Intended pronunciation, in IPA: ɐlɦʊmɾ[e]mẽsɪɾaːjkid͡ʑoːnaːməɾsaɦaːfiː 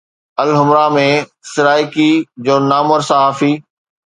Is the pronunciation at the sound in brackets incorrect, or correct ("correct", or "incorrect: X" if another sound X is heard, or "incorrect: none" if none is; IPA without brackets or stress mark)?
incorrect: a